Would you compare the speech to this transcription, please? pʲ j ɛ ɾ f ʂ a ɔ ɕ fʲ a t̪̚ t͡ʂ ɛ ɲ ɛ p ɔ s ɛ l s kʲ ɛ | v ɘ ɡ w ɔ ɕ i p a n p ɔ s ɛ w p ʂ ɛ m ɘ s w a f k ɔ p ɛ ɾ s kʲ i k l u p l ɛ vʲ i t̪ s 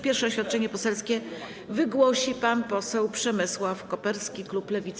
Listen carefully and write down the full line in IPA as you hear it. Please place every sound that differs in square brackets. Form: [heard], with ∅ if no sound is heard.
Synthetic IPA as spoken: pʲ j ɛ ɾ f ʂ [ɛ] ɔ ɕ fʲ a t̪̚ t͡ʂ ɛ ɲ ɛ p ɔ s ɛ l s kʲ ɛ | v ɘ ɡ w ɔ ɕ i p a n p ɔ s ɛ w p ʂ ɛ m ɘ s w a f k ɔ p ɛ ɾ s kʲ i k l u p l ɛ vʲ i t̪ s